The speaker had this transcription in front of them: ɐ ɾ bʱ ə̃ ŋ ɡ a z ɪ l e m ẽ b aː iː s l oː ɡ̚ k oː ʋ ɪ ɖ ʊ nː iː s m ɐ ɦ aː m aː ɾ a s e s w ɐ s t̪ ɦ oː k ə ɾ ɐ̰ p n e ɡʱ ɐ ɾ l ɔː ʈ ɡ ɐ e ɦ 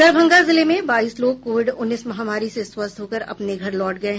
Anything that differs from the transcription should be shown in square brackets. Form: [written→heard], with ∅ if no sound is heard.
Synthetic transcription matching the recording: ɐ ɾ bʱ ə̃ ŋ ɡ a z ɪ l e m ẽ b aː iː s l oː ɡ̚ k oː ʋ ɪ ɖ ʊ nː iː s m ɐ ɦ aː m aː ɾ [a→i] s e s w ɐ s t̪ ɦ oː k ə ɾ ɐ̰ p n e ɡʱ ɐ ɾ l ɔː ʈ ɡ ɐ e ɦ